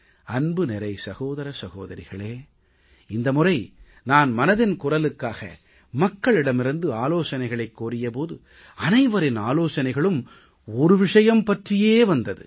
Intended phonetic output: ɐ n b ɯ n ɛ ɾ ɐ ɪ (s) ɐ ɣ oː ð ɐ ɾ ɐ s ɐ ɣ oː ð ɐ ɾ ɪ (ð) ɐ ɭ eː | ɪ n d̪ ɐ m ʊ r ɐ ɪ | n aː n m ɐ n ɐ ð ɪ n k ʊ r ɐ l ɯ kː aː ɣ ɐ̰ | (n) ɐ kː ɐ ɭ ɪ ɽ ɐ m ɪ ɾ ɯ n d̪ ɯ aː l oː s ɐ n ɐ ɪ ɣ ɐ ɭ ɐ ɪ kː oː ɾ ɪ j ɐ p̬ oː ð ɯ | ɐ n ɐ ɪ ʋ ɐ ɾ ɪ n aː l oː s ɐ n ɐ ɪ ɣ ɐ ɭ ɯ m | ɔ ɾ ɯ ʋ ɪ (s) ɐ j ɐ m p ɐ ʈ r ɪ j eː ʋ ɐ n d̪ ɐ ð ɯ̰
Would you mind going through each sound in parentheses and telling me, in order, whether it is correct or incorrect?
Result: correct, incorrect: ɣ, incorrect: m, incorrect: ʂ

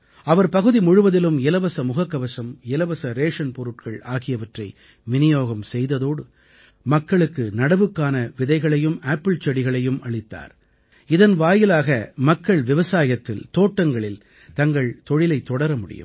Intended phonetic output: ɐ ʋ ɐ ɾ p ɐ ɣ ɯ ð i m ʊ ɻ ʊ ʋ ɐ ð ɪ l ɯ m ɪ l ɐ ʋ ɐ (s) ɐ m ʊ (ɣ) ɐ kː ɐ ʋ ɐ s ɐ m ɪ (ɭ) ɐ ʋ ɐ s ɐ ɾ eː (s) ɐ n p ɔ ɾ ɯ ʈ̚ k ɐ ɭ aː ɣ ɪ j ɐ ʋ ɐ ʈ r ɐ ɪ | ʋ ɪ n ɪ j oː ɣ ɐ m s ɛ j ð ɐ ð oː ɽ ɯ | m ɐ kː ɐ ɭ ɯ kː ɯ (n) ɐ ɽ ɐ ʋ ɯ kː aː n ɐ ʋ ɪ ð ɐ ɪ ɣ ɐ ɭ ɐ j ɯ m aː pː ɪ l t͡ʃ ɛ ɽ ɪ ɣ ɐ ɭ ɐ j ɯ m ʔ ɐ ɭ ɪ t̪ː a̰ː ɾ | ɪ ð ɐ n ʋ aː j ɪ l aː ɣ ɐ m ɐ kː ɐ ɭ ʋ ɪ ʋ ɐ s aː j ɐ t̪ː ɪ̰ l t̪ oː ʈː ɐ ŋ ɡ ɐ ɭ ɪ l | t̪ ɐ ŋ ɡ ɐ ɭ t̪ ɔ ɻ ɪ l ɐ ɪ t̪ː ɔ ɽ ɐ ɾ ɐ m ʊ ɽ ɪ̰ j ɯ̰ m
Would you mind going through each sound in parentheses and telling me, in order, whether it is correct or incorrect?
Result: correct, correct, incorrect: l, incorrect: ʂ, correct

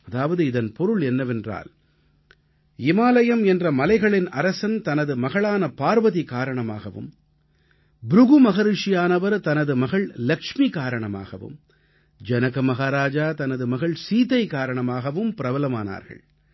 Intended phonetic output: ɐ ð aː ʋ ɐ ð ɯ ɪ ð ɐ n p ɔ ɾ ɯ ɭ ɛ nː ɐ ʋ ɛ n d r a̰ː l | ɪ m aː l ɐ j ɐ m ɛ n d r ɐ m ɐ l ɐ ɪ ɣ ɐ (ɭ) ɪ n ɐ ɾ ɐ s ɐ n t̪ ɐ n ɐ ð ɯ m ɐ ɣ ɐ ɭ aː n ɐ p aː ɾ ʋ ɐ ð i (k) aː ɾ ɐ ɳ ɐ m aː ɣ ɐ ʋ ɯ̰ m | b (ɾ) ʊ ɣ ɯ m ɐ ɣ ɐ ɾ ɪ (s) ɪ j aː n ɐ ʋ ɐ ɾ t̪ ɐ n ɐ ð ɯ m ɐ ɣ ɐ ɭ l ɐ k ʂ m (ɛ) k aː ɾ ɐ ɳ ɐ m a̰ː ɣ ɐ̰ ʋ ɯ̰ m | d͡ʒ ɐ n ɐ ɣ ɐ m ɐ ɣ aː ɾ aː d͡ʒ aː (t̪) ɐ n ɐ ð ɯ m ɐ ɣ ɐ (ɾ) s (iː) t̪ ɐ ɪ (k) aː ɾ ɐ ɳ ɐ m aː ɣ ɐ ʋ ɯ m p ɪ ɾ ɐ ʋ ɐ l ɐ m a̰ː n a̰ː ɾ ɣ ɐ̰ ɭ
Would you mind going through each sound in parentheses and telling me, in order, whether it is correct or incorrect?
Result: correct, correct, correct, incorrect: ʂ, incorrect: i, correct, incorrect: ɭ, correct, correct

